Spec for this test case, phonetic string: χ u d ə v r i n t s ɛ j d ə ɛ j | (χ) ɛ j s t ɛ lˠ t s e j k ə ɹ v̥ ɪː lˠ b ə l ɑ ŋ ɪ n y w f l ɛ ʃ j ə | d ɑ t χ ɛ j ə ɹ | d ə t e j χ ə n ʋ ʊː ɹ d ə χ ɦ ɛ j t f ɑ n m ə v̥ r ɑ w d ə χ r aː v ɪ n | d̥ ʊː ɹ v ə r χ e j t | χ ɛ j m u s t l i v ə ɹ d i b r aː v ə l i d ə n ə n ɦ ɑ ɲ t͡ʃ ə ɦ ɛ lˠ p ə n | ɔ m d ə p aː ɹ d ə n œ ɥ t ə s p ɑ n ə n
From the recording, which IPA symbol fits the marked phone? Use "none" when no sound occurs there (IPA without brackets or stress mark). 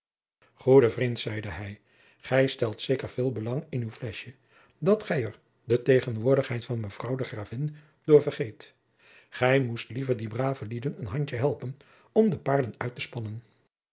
χ